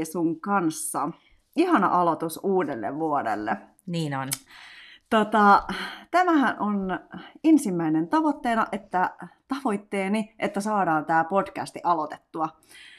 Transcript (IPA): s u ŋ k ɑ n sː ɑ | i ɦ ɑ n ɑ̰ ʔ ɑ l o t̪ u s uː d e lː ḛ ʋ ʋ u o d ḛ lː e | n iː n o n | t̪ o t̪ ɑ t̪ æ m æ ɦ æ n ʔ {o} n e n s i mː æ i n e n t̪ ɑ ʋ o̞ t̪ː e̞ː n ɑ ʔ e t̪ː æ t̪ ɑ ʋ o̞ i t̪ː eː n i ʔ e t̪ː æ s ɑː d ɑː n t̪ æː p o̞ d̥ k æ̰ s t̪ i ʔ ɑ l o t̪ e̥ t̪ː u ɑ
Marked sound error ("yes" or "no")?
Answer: no